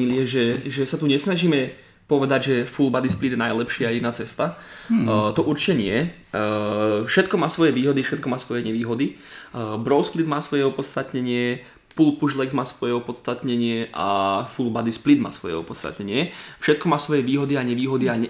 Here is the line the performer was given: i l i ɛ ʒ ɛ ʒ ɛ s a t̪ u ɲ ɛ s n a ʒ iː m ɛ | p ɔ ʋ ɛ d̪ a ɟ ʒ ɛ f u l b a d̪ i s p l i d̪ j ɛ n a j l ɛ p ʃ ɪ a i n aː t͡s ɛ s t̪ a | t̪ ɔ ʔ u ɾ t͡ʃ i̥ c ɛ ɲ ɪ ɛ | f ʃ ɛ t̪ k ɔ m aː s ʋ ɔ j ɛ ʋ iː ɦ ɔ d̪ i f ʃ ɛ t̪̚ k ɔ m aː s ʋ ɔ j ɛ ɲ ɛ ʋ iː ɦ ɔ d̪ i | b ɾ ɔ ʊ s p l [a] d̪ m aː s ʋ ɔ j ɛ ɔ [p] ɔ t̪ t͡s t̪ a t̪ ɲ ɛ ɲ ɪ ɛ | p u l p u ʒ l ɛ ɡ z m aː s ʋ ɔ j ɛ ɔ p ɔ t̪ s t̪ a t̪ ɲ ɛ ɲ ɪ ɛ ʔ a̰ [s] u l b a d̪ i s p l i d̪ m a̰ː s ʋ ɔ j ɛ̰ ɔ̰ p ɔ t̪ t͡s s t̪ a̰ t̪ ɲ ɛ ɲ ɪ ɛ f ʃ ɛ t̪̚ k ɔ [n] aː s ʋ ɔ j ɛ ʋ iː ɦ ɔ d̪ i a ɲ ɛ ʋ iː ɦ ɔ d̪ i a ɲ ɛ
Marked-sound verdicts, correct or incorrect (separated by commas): incorrect, correct, incorrect, incorrect